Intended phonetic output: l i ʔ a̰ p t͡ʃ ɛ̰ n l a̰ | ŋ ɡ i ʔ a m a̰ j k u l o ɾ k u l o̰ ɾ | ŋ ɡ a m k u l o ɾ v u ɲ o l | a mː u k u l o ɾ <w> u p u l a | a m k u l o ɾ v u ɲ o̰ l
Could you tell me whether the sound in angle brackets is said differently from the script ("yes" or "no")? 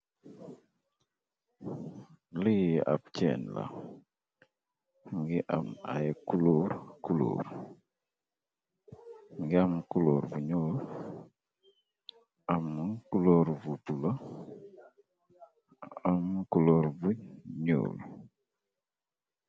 yes